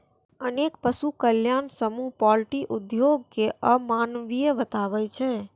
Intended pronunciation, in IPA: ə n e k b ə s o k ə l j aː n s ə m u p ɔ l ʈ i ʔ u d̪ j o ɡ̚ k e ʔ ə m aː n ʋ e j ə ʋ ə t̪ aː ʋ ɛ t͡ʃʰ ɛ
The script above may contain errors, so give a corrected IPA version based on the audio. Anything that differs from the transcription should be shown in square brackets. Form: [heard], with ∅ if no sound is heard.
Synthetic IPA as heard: ə n e k [p] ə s [u] k ə l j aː n s ə m u p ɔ l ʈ i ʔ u d̪ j o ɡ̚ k e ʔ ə m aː n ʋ [i] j ə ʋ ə t̪ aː ʋ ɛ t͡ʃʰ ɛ